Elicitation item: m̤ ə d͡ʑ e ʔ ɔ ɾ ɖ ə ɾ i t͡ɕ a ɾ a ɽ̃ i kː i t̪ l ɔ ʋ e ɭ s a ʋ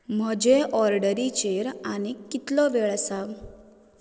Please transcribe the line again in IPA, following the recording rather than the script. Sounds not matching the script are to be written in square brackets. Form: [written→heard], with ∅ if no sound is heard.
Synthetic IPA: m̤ ə d͡ʑ e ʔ ɔ ɾ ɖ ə ɾ i t͡ɕ [a→e] ɾ a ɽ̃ i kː i t̪ l ɔ ʋ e ɭ s a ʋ